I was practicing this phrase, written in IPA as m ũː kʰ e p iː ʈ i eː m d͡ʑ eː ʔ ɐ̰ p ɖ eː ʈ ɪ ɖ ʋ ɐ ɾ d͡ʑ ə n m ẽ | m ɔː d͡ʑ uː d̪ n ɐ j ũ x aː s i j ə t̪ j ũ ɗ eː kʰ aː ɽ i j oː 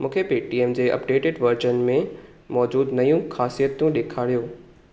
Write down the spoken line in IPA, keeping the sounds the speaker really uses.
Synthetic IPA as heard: m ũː kʰ e p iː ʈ i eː m d͡ʑ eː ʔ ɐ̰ p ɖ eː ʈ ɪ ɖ ʋ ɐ ɾ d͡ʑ ə n m ẽ | m ɔː d͡ʑ uː d̪ n ɐ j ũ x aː s i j ə t̪ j ũ ɗ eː kʰ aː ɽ i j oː